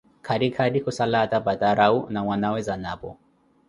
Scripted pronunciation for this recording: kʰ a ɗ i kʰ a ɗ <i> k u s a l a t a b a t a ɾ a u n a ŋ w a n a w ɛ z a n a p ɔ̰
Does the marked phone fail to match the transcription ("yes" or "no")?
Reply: no